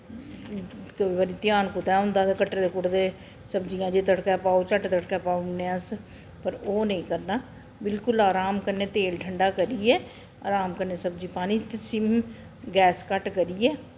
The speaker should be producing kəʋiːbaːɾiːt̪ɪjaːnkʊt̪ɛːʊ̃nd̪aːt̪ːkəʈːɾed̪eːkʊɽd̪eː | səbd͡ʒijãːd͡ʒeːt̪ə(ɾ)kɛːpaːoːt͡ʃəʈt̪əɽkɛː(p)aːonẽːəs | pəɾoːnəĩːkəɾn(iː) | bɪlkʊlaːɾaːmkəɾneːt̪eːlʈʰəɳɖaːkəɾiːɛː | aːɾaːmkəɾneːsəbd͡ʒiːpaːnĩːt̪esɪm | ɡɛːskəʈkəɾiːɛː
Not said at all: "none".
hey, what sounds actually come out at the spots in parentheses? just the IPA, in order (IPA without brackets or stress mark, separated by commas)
ɽ, p, aː